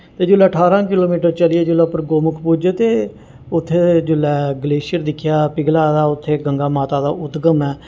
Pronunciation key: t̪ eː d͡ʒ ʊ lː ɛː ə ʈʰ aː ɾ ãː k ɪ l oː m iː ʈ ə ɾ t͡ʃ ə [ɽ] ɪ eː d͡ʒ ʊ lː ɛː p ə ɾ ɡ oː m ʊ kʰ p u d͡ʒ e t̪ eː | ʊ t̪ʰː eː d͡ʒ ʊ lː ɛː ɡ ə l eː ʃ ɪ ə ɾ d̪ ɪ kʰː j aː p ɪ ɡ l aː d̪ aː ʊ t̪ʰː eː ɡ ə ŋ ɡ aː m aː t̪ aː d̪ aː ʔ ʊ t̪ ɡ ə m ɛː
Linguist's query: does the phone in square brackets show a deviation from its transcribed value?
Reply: yes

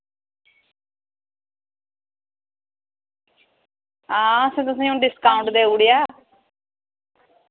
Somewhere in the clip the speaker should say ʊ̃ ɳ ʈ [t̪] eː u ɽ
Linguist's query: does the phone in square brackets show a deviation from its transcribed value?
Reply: yes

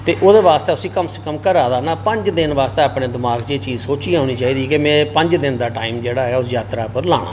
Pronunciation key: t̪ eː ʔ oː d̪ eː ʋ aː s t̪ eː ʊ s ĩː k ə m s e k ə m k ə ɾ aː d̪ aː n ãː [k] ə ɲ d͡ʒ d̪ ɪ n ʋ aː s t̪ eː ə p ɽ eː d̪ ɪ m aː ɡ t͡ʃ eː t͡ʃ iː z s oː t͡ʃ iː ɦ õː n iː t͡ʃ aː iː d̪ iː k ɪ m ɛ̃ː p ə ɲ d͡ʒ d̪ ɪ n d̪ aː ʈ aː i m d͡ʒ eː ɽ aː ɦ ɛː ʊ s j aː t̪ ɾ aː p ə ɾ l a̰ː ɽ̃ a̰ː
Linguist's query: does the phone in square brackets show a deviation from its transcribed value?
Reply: yes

